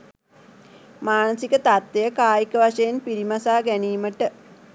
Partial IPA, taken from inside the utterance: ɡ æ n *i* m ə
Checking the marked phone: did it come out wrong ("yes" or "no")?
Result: yes